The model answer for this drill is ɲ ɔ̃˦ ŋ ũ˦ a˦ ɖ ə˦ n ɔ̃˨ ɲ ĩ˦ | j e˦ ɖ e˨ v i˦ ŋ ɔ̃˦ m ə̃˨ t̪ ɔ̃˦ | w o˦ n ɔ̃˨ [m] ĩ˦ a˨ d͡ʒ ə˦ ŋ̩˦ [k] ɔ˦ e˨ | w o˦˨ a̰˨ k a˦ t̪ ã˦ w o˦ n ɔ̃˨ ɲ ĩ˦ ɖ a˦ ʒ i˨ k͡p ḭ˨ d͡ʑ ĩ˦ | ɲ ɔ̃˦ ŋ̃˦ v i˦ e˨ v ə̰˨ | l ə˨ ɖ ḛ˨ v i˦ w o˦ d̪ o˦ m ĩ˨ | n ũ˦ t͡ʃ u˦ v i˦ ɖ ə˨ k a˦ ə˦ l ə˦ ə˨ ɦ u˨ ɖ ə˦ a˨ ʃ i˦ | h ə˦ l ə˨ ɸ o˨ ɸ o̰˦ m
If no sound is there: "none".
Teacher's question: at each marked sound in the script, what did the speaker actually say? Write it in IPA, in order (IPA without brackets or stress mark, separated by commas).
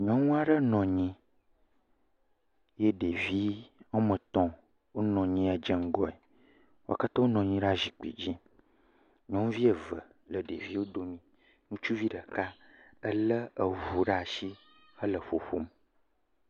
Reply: ɲ, ɡ